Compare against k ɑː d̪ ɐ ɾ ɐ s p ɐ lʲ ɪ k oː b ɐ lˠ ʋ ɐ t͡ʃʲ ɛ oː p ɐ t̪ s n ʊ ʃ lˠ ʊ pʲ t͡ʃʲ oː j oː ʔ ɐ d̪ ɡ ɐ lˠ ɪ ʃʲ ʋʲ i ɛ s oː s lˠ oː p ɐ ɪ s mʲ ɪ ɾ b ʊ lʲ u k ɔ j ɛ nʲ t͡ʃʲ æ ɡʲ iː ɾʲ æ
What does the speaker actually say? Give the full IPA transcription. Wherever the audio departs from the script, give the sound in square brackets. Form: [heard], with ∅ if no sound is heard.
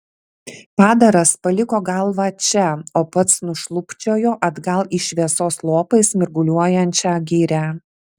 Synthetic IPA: [p] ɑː d̪ ɐ ɾ ɐ s p ɐ lʲ ɪ k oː [ɡ] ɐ lˠ ʋ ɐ t͡ʃʲ ɛ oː p ɐ t̪ s n ʊ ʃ lˠ ʊ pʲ t͡ʃʲ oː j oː ʔ ɐ d̪ ɡ ɐ lˠ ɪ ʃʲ ʋʲ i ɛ s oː s lˠ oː p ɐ ɪ s mʲ ɪ ɾ [ɡ] ʊ lʲ u [∅] ɔ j ɛ nʲ t͡ʃʲ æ ɡʲ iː ɾʲ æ